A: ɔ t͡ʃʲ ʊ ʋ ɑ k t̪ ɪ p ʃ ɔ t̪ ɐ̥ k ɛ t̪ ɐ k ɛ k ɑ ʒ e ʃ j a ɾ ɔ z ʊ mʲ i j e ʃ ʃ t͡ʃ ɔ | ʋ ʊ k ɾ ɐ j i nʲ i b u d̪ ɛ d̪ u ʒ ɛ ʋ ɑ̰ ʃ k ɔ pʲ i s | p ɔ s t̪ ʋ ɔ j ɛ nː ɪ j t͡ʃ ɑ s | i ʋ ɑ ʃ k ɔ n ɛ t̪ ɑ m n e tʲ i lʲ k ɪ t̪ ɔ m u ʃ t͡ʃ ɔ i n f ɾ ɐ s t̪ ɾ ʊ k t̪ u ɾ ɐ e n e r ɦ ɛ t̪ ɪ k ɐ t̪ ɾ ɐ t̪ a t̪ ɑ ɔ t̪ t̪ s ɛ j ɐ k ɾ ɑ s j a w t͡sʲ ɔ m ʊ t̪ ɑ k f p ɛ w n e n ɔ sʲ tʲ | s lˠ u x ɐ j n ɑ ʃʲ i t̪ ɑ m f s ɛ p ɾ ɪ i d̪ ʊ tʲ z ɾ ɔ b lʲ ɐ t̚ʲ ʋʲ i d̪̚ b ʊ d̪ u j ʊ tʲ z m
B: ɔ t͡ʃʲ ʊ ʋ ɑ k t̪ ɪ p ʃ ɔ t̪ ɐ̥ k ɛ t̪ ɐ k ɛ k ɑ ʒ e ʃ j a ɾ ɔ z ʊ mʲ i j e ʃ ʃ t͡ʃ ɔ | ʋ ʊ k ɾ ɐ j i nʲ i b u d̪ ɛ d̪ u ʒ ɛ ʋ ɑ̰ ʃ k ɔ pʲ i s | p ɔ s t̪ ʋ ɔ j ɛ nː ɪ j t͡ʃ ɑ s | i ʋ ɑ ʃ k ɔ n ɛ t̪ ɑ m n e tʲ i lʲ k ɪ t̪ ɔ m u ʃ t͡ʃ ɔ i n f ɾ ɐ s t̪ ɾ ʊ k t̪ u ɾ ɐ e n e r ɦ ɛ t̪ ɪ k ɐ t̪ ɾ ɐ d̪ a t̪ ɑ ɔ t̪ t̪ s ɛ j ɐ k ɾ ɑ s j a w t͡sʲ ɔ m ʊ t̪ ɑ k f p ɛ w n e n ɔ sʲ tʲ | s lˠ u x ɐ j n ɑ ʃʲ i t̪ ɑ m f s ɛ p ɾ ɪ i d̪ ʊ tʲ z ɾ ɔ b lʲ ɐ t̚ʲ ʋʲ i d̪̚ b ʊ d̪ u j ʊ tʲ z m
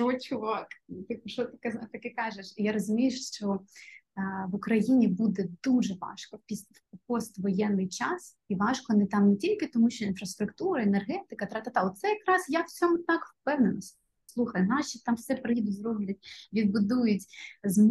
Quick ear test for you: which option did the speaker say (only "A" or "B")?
A